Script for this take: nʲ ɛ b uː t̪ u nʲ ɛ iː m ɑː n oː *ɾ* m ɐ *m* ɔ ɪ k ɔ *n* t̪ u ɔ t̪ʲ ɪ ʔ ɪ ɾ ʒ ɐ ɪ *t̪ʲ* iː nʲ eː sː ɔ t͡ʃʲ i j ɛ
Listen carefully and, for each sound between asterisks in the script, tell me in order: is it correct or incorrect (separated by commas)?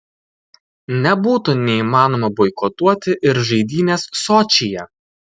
incorrect, incorrect, incorrect, incorrect